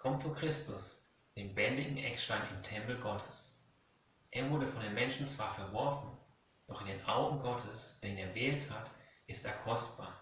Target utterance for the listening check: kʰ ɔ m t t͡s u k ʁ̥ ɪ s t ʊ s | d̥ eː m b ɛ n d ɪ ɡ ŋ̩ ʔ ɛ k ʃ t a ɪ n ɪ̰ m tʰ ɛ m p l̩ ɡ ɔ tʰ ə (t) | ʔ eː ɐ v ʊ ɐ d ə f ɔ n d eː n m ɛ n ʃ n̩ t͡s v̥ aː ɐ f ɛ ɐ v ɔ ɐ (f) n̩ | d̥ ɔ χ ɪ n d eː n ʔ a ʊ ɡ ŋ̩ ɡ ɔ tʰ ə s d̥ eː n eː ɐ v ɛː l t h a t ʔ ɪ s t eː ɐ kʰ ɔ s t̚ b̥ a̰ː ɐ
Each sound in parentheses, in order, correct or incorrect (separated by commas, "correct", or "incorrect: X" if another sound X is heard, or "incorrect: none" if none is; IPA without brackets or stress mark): incorrect: s, correct